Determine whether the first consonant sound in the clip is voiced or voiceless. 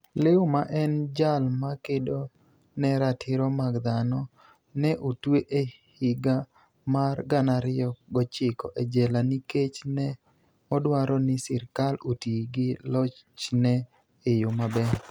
voiced